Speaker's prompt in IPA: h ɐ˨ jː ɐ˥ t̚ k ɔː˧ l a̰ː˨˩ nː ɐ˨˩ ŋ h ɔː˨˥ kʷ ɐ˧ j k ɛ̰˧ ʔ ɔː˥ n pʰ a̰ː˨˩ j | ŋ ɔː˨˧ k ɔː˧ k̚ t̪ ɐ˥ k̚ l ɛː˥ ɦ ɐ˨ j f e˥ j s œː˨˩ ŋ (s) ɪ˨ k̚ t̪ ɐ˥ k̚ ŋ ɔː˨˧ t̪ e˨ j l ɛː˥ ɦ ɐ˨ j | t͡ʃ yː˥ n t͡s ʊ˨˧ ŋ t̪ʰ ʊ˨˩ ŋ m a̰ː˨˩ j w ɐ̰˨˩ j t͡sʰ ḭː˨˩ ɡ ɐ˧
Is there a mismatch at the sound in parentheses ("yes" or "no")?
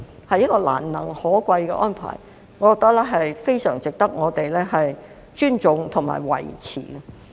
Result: yes